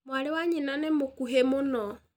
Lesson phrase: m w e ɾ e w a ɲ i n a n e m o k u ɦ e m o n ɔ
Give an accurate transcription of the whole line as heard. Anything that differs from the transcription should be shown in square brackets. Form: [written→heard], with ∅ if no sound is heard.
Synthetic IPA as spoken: m w [e→a] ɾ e w a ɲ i n a n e m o k u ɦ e m o n ɔ